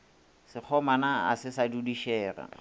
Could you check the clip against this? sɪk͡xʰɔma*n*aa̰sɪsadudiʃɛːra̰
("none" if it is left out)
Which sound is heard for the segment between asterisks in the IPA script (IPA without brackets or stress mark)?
n